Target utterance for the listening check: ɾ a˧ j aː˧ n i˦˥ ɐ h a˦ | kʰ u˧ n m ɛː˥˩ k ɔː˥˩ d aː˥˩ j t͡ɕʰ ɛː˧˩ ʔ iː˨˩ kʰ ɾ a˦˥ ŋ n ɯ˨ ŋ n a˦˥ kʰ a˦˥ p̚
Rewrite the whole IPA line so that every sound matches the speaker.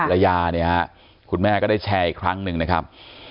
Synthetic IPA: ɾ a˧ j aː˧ n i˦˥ ɐ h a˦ | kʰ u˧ n m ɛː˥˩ k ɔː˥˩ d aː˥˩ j t͡ɕʰ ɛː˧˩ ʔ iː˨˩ kʰ ɾ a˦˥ ŋ n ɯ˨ ŋ n a˦˥ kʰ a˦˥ p̚